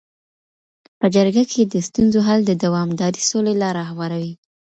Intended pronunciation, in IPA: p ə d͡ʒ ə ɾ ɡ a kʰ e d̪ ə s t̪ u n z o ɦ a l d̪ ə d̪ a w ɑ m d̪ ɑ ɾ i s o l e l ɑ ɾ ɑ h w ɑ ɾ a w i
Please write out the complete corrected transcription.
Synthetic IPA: p ə d͡ʒ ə ɾ ɡ a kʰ e d̪ ə s t̪ u n z o ɦ a l d̪ ə d̪ a w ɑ m d̪ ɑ ɾ i s o l e l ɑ ɾ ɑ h w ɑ ɾ a w i